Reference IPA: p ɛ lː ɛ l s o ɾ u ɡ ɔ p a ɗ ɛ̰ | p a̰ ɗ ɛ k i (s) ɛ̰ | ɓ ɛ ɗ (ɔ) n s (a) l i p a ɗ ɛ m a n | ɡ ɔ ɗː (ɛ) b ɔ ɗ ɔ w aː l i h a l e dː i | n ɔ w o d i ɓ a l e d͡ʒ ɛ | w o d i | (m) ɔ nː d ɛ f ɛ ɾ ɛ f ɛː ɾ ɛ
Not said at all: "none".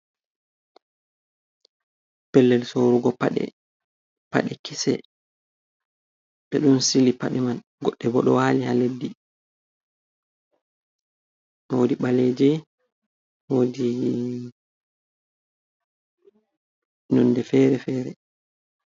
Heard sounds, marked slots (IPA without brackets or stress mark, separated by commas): s, u, i, ɛ, n